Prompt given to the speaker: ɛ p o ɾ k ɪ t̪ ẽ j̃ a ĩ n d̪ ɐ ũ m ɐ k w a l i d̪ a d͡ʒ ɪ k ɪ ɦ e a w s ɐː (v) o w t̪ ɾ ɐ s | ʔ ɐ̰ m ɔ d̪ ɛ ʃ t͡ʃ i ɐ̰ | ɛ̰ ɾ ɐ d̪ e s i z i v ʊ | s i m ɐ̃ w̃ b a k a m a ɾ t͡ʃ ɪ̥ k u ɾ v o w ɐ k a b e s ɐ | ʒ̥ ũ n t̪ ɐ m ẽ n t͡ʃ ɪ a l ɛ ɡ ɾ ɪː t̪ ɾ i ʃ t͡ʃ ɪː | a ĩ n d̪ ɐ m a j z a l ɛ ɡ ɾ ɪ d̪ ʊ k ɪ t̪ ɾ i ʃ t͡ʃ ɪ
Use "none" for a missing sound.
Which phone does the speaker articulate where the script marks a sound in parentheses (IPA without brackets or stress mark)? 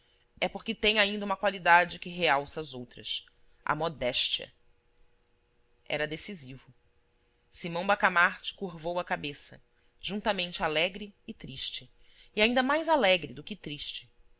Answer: z